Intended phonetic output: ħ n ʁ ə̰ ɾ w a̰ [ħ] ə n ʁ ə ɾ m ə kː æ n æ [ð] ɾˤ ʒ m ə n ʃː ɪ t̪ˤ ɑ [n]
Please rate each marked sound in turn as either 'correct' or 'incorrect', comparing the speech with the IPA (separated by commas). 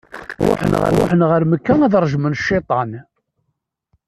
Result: correct, correct, correct